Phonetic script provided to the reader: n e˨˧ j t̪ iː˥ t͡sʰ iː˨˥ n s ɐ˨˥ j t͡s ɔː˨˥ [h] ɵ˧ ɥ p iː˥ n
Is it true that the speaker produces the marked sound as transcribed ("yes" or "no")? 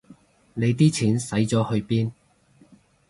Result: yes